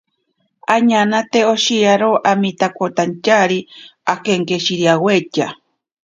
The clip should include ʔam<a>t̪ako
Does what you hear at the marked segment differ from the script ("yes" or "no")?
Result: yes